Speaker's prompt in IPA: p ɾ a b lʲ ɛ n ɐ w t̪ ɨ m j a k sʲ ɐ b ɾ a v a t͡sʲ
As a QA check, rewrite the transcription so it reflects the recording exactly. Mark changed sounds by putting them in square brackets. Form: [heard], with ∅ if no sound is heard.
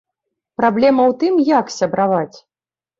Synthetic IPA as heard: p ɾ a b lʲ ɛ [m] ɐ w t̪ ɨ m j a k sʲ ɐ b ɾ a v a t͡sʲ